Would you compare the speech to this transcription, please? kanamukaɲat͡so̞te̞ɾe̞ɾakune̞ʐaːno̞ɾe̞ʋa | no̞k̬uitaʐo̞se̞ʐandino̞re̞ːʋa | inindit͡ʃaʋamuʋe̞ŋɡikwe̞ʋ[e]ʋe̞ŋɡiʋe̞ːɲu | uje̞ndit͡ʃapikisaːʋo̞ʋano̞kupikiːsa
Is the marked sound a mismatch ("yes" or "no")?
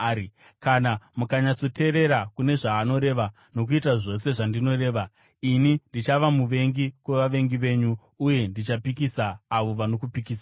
yes